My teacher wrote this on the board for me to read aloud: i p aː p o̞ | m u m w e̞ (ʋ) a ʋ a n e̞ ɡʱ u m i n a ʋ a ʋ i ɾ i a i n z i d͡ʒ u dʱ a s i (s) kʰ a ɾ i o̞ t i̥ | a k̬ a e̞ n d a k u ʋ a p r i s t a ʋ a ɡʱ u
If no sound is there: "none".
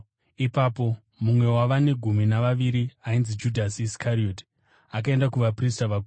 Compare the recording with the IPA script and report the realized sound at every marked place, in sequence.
w, s

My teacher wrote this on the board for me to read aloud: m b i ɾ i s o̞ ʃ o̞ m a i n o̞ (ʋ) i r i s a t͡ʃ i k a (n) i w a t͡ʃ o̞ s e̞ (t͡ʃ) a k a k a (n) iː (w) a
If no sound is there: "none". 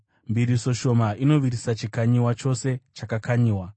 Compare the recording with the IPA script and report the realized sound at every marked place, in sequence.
ʋ, ɲ, t͡ʃ, ɲ, w

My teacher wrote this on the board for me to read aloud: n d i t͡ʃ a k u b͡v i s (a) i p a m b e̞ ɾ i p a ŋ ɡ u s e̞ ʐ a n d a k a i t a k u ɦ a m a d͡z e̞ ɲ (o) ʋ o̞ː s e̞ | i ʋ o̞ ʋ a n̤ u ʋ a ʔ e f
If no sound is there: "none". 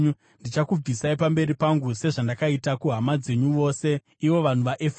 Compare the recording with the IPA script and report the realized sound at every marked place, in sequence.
a, u

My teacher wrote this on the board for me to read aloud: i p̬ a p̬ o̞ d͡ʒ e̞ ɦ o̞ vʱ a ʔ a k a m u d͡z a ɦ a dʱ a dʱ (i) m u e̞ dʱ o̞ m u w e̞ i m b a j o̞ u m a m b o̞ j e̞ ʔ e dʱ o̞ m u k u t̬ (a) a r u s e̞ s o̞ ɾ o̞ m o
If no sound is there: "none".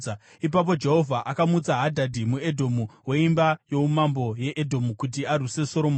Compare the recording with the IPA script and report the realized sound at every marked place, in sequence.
i, i

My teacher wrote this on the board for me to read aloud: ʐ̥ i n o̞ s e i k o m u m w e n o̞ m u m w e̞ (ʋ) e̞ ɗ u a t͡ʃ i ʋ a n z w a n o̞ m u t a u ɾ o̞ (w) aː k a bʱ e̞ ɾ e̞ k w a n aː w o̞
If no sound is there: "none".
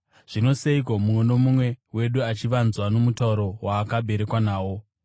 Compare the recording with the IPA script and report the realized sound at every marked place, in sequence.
w, w

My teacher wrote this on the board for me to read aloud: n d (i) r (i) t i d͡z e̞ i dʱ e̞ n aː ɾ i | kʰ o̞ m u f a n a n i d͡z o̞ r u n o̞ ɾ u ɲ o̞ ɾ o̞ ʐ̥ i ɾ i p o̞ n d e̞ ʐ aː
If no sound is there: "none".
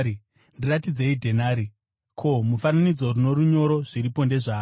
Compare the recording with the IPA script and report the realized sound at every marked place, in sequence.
i, a

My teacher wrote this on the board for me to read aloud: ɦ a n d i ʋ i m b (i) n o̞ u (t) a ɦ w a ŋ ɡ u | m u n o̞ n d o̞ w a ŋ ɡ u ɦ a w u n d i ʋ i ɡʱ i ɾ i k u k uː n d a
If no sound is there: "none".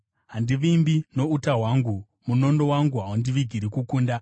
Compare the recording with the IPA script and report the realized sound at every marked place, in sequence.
i, t

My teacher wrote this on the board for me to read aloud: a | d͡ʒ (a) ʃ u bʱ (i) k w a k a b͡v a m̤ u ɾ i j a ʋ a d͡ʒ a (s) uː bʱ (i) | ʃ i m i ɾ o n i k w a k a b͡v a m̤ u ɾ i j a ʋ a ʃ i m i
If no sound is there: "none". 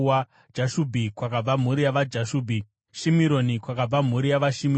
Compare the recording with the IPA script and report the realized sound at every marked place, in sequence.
a, i, ʃ, i

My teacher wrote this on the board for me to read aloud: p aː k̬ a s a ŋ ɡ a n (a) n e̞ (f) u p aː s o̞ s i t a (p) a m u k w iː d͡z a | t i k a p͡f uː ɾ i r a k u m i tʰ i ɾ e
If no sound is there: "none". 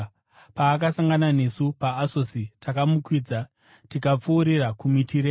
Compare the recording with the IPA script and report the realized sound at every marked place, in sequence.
a, s, k

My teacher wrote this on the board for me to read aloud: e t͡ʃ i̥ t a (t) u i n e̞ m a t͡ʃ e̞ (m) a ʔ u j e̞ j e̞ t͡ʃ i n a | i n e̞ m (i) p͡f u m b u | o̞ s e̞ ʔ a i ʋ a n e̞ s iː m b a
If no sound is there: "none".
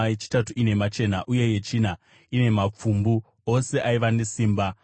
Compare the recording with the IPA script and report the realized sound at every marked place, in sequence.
t, n, a

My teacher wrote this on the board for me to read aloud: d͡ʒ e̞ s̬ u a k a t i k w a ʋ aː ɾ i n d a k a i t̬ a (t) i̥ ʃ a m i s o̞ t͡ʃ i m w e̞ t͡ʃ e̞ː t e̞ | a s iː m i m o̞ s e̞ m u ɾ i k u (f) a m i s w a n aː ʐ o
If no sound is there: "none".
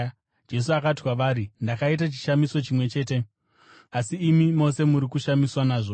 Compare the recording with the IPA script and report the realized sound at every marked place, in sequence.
t͡ʃ, ʃ

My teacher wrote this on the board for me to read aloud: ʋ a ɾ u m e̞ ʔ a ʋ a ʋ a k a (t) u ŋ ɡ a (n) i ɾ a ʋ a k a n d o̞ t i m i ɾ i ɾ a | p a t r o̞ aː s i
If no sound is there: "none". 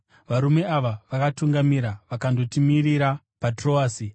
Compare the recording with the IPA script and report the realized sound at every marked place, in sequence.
t, m

